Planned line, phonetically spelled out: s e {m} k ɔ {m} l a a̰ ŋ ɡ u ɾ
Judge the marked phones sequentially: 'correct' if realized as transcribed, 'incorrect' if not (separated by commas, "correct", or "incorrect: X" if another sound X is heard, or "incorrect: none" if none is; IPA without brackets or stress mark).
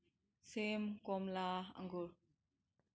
correct, correct